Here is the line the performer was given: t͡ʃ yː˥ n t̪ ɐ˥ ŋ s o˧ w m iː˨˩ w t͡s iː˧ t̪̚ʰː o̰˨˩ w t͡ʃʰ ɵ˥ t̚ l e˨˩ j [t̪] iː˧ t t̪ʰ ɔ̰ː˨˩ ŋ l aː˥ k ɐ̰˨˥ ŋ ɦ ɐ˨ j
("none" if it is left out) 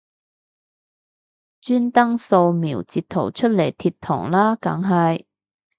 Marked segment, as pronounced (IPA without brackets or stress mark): t̪ʰ